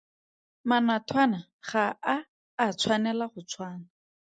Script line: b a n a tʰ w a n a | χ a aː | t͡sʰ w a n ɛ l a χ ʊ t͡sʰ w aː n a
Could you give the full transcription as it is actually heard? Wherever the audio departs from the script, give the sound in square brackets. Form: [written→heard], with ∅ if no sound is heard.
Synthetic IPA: [b→m] a n a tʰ w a n a | χ a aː | t͡sʰ w a n ɛ l a χ ʊ t͡sʰ w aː n a